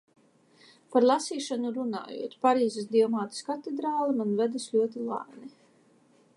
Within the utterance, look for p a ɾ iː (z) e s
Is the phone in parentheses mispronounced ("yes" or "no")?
no